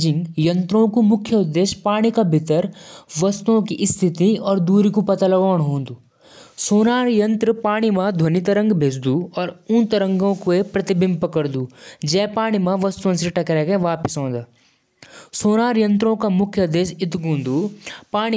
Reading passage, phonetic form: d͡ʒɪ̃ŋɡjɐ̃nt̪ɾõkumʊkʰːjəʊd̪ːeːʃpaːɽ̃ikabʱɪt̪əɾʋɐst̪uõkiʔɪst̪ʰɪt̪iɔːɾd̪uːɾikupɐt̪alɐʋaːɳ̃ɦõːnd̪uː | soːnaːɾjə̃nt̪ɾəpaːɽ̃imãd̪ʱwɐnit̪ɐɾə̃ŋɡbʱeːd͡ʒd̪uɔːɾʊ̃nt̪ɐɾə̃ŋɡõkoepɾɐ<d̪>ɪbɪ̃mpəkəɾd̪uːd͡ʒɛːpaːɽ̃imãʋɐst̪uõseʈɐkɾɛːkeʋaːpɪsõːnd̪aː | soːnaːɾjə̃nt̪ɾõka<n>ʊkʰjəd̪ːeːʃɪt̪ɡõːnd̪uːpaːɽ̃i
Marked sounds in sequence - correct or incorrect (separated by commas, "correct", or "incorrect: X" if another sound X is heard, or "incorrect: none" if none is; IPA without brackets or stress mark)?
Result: incorrect: t̪, incorrect: m